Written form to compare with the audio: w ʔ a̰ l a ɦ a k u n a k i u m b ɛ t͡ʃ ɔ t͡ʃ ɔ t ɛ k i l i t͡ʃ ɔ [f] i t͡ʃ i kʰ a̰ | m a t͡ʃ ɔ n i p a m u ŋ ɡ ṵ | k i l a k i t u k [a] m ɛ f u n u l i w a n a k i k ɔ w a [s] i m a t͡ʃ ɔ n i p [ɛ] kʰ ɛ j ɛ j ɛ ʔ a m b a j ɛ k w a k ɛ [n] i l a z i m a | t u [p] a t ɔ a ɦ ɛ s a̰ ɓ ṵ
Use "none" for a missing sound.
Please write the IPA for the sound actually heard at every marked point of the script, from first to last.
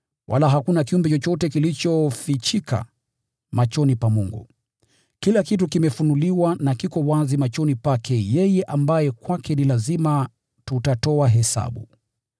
f, i, z, a, n, t

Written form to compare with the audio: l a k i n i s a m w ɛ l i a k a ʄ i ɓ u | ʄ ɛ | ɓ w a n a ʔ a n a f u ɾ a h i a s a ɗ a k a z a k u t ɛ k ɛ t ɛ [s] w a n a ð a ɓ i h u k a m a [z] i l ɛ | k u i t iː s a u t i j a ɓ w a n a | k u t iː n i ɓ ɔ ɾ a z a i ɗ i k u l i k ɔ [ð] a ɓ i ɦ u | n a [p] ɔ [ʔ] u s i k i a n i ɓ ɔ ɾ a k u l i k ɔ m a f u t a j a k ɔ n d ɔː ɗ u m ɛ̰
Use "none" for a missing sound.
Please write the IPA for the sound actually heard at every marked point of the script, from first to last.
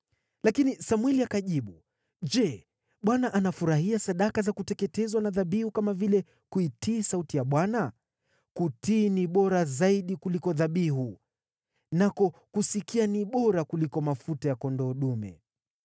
z, v, ð, k, k

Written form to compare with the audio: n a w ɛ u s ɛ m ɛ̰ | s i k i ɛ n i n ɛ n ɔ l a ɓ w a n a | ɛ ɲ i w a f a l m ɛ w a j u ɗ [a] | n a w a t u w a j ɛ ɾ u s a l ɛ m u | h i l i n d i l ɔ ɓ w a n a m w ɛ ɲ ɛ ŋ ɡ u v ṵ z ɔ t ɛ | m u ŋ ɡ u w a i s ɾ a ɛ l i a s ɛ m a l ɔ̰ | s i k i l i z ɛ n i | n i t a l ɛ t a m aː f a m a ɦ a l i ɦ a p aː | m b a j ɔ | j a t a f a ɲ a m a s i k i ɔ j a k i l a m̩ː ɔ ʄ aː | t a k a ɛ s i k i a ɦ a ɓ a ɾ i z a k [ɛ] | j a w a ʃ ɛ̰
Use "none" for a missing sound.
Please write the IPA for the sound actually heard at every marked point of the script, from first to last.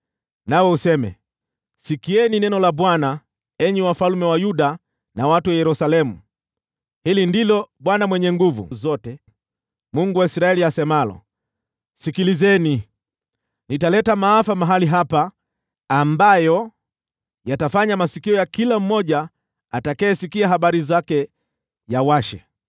a, ɛ

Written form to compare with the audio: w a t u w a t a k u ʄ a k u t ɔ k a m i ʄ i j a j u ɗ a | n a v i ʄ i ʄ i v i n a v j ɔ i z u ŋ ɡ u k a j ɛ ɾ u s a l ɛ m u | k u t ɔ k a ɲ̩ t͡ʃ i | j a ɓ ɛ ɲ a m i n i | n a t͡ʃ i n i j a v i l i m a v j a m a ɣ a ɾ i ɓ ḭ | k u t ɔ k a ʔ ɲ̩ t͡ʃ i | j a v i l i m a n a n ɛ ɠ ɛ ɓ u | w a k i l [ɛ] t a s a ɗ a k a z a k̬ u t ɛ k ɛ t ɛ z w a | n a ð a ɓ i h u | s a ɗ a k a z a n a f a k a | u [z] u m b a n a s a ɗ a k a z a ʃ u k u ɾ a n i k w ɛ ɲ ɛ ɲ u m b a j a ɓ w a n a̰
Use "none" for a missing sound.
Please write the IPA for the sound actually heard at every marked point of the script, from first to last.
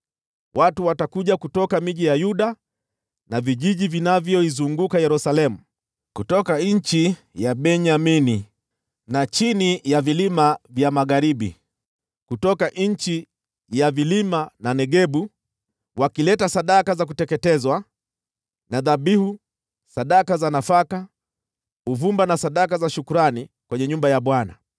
ɛ, v

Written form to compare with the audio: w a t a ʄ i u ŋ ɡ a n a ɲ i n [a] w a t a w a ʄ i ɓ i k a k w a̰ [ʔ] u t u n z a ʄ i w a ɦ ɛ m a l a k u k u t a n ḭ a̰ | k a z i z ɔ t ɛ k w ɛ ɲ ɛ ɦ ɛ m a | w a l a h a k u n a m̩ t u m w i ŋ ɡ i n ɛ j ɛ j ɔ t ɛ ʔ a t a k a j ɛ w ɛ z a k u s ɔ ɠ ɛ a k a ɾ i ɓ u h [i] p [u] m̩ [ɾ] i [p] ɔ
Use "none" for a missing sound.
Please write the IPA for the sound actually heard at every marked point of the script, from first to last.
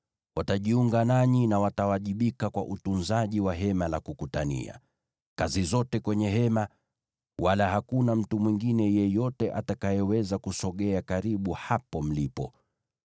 a, ʔ, a, ɔ, l, p

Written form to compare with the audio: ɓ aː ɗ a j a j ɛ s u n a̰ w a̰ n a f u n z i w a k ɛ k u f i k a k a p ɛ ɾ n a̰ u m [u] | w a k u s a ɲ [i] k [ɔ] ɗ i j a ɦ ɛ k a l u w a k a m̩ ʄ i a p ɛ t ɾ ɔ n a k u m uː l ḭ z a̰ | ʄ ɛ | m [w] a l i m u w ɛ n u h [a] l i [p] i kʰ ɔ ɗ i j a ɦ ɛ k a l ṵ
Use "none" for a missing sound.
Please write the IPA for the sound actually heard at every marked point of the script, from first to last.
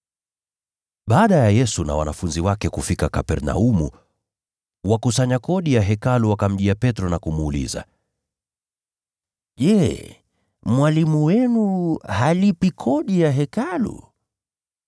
u, a, ɔ, w, a, p

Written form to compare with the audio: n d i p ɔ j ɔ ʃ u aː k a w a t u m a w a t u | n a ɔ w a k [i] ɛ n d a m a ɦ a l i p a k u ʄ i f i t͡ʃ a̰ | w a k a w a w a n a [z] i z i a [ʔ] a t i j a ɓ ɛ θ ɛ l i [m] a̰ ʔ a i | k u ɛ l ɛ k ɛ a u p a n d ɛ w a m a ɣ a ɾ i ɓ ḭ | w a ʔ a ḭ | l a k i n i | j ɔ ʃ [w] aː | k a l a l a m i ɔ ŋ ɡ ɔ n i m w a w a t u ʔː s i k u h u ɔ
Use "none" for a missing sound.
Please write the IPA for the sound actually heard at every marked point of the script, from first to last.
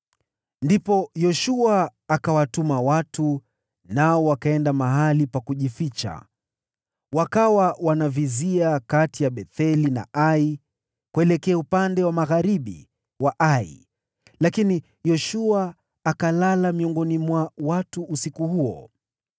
a, v, k, n, u

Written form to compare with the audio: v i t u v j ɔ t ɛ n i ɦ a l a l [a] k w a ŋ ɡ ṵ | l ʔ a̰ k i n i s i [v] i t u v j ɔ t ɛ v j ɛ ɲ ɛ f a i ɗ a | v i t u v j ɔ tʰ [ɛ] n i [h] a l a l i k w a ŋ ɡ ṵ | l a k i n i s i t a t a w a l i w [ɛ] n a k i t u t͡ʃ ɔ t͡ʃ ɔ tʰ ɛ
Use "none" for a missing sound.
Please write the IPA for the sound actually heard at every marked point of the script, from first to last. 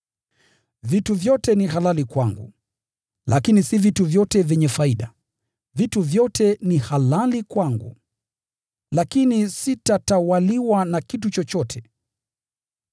i, v, ɛ, h, a

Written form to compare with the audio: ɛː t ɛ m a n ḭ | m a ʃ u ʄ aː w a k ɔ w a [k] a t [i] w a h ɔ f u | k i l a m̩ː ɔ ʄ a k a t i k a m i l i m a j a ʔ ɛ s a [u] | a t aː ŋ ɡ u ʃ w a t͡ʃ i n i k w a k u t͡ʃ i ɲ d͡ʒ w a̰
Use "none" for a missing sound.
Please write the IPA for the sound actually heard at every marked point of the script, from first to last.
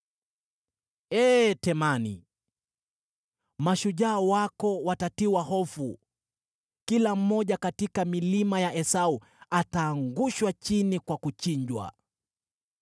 t, i, u

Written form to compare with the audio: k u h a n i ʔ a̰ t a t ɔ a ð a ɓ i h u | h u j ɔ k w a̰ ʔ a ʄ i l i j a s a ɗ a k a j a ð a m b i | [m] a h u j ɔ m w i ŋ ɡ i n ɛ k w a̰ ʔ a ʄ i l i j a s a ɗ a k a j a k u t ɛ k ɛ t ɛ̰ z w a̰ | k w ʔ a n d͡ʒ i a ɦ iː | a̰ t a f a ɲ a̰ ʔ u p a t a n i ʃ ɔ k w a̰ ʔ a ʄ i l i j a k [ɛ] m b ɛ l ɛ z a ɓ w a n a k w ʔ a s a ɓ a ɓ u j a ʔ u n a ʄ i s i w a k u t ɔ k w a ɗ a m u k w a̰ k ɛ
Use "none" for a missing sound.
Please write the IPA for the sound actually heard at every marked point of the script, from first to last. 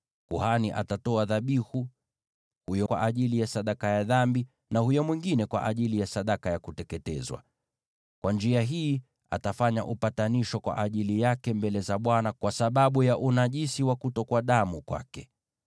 n, ɛ

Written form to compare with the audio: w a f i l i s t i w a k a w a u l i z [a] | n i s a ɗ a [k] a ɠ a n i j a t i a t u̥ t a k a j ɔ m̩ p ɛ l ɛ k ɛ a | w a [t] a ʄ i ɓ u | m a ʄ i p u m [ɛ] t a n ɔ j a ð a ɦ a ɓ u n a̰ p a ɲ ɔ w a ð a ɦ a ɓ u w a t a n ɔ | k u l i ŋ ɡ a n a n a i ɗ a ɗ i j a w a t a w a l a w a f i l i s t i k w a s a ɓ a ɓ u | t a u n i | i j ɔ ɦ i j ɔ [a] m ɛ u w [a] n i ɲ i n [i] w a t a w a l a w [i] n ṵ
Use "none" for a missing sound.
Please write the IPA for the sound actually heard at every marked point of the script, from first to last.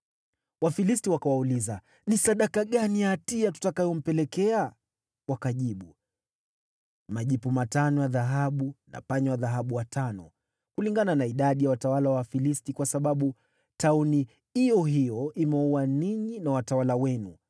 a, k, k, a, i, a, a, ɛ

